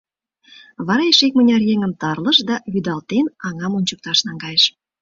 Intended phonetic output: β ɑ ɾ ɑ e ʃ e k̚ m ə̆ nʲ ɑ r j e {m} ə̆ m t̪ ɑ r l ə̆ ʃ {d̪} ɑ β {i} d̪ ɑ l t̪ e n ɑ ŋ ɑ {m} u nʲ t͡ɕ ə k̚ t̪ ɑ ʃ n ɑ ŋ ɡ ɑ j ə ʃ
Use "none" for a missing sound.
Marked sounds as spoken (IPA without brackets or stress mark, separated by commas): ŋ, d̪, y, m